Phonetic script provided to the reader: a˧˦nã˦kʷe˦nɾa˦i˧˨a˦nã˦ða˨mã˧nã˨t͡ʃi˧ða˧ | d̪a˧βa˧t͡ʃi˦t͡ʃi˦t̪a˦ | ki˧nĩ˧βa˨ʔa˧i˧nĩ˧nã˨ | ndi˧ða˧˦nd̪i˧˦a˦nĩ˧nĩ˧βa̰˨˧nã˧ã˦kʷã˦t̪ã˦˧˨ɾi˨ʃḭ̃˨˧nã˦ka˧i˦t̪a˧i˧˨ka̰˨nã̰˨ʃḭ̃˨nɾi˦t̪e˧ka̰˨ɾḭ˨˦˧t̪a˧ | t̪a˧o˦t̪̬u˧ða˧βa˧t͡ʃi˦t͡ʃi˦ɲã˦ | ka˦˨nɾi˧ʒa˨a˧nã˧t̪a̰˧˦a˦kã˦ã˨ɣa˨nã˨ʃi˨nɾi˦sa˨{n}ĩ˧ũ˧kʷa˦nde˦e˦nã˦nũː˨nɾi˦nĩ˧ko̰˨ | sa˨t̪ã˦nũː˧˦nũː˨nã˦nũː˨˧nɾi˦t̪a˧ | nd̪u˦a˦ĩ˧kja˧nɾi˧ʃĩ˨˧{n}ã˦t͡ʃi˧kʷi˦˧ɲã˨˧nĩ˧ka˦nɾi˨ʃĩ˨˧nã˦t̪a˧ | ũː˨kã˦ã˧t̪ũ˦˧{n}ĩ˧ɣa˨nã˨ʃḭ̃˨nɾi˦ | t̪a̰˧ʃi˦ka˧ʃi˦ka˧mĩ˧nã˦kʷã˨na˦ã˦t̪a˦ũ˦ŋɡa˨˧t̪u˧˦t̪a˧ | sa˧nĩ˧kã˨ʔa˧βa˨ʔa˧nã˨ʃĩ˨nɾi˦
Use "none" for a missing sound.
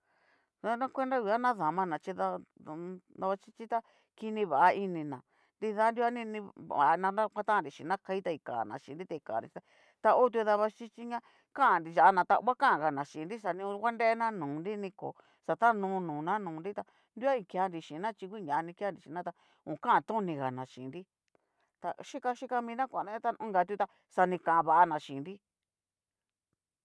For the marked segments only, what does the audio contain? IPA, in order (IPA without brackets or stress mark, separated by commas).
n, n, n